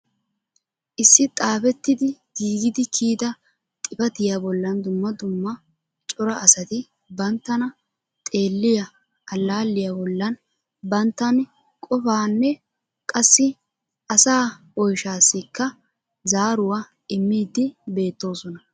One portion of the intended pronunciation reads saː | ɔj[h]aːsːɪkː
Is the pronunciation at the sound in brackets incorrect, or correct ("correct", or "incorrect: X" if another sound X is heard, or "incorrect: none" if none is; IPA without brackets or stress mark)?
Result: incorrect: ʃ